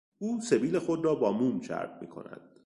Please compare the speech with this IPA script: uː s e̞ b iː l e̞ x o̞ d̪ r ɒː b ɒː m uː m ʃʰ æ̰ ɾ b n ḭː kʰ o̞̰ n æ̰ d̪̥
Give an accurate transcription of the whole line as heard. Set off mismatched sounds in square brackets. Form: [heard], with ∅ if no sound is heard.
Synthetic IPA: uː s e̞ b iː l e̞ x o̞ d̪ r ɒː b ɒː m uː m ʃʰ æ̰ ɾ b [m] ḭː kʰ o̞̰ n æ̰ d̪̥